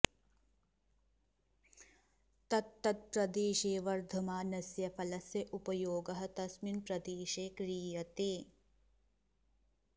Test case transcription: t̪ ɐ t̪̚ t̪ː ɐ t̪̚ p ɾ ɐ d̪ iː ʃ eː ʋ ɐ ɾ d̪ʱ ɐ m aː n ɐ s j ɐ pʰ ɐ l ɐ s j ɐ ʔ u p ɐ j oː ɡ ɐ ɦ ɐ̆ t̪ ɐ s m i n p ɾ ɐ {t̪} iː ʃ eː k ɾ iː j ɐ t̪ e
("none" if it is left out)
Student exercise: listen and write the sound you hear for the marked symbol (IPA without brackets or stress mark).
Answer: d̪